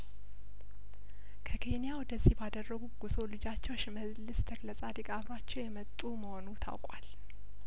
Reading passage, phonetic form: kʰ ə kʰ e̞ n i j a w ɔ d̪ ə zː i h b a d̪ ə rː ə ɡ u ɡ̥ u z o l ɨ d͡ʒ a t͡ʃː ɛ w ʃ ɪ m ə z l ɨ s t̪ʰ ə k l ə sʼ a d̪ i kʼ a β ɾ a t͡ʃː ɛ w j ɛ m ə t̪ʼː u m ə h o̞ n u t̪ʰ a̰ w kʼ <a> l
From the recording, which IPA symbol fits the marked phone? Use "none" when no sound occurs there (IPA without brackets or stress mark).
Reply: a